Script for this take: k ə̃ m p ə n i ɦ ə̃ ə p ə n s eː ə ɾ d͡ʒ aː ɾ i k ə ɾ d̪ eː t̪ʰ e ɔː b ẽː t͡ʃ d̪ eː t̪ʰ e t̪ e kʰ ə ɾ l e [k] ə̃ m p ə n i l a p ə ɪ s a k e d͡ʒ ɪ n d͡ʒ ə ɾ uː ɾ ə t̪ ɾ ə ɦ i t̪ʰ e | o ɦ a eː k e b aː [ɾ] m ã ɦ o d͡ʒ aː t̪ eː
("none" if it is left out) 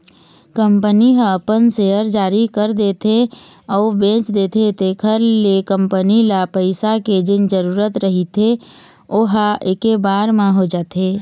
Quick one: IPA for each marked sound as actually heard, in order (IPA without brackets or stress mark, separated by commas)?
k, ɾ